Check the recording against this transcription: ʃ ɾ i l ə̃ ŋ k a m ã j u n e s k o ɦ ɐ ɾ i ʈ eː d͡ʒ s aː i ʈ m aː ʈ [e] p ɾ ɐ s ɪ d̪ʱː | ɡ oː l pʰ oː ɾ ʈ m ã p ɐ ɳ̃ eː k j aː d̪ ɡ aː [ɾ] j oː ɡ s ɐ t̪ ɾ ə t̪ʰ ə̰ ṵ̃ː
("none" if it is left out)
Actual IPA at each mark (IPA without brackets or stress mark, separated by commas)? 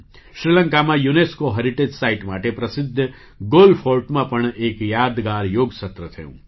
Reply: e, ɾ